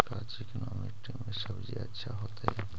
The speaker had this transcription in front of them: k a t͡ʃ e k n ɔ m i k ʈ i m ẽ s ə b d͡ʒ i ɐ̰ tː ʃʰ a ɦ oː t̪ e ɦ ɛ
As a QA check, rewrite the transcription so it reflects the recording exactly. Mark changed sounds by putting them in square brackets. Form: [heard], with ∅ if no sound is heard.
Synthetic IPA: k a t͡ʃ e k n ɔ m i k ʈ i m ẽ s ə b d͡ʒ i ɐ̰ tː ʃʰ a ɦ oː t̪ [a] ɦ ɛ